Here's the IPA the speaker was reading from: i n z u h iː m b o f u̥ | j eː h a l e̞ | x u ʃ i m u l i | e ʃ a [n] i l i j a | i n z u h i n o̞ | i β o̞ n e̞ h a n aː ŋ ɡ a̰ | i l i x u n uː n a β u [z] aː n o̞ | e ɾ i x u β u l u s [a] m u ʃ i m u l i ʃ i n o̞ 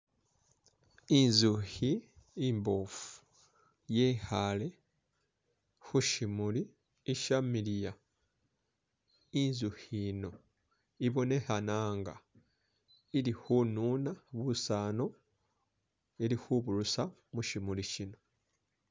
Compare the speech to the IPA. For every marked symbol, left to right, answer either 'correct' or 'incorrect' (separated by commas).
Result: incorrect, incorrect, correct